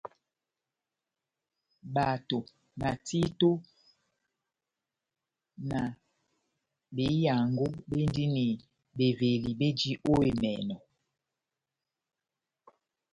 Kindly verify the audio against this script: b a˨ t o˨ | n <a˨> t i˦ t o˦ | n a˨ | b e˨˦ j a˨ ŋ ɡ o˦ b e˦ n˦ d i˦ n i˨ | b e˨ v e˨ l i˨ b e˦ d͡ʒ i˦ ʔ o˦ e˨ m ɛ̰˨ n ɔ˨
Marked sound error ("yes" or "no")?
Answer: no